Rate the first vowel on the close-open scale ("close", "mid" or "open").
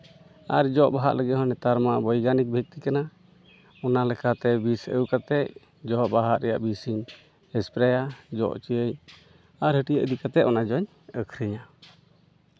open